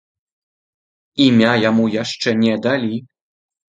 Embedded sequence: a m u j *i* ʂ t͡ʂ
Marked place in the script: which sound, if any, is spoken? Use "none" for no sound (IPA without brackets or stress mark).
a